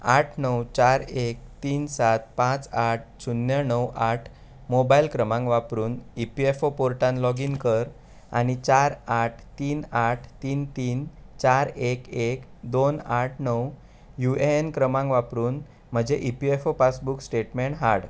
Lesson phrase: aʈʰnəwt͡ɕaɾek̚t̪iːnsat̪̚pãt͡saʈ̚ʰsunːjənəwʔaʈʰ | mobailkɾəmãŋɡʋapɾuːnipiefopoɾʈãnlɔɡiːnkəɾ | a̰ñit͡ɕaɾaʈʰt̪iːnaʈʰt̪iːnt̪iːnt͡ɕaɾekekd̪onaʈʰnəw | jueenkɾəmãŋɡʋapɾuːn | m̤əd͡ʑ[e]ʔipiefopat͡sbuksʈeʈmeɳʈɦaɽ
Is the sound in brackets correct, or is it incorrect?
correct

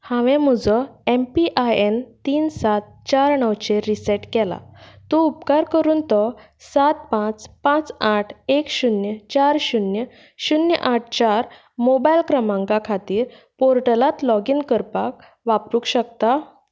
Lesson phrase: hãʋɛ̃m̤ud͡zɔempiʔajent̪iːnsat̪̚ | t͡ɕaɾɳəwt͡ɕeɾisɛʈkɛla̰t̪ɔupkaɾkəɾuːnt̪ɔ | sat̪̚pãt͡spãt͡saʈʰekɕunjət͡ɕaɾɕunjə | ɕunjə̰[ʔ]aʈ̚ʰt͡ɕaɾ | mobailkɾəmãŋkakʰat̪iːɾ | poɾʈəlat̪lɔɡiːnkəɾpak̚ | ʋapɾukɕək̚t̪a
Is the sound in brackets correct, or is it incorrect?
correct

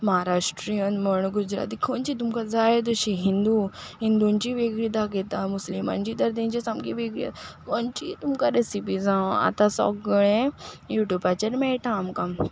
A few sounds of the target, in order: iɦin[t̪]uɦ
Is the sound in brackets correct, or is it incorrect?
incorrect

